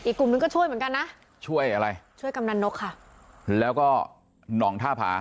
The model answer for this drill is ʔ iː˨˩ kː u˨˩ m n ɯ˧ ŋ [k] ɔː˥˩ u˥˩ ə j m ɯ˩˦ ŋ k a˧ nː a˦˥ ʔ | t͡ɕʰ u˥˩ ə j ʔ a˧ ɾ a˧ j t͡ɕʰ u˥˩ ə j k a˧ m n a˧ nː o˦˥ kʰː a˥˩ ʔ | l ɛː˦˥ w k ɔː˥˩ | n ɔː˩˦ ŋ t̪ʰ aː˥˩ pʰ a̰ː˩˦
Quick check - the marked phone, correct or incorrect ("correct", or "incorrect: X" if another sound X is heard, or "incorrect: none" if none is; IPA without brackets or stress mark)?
correct